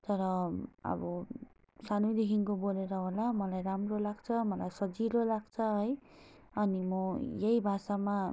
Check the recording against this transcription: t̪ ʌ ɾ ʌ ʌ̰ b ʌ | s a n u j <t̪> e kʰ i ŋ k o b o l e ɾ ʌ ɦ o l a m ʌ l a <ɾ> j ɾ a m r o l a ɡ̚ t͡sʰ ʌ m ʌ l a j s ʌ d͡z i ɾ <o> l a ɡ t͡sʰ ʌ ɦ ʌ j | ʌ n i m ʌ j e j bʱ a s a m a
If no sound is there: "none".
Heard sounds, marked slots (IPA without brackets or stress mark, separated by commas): d̪, none, o